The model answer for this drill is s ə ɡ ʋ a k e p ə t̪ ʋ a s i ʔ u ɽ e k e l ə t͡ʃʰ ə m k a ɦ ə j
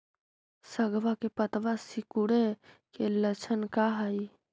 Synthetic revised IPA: s ə ɡ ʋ a k e p ə t̪ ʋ a s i k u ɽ e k e l ə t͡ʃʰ ə n k a ɦ ə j